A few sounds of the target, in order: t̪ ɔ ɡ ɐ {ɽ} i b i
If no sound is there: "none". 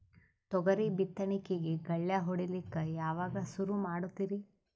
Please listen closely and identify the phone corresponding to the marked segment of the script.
ɾ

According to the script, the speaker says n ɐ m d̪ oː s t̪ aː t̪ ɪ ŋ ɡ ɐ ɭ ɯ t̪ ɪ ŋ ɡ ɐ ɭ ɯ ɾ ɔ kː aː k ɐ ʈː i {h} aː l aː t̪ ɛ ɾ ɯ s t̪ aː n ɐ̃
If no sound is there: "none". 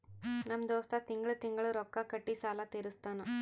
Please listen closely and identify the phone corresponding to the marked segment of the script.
s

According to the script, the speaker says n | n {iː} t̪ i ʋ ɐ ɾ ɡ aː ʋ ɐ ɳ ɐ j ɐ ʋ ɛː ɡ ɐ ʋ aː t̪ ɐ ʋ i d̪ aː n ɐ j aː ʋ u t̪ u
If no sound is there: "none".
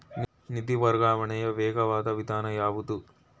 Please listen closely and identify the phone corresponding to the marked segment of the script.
i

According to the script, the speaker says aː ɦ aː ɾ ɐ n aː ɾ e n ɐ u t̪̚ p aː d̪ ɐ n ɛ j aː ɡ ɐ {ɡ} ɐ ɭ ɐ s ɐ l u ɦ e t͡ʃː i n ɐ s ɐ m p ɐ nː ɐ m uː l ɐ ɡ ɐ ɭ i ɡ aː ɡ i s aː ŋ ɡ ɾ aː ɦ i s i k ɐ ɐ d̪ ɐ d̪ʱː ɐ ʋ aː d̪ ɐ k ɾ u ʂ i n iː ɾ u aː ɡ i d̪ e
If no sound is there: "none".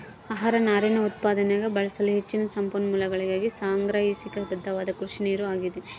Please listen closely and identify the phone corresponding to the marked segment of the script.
b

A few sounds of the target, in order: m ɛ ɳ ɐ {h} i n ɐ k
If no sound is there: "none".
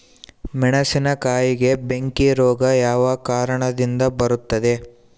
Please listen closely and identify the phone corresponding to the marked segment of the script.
s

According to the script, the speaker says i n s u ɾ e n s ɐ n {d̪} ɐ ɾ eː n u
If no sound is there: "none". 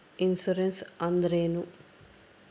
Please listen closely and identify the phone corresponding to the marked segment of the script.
d̪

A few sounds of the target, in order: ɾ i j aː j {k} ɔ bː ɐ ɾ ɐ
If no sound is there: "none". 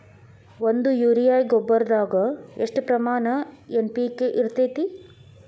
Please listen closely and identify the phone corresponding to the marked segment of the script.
ɡ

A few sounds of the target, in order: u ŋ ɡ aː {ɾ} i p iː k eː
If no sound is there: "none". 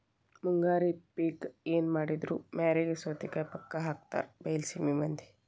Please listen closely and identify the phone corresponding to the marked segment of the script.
ɾ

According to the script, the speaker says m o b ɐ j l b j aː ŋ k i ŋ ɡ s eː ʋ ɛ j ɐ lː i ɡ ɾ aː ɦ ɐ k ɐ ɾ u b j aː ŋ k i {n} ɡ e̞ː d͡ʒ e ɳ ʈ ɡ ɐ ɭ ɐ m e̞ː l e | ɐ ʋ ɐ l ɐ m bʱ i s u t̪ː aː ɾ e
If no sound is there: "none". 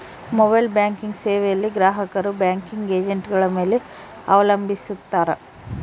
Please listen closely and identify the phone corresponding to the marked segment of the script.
ŋ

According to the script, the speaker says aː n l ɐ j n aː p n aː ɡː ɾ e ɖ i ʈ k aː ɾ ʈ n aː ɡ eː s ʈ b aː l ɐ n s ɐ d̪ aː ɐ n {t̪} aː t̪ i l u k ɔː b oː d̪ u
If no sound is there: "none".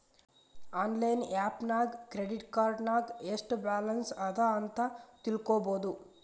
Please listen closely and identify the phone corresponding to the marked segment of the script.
t̪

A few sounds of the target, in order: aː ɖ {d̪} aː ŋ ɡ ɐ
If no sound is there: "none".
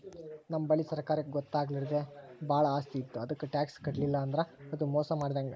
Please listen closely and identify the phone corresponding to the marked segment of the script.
d̪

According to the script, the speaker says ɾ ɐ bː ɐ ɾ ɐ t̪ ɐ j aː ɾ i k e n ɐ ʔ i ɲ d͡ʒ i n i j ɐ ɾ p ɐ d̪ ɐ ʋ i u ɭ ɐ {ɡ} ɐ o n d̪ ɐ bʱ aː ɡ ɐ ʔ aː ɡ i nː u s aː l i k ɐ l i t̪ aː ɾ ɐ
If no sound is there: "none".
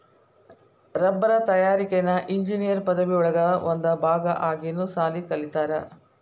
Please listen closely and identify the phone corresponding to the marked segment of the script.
ɡ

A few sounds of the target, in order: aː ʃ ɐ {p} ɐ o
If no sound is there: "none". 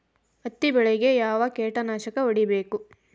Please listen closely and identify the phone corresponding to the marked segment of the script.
k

